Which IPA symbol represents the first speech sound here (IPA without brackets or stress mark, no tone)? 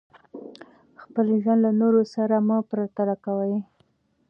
x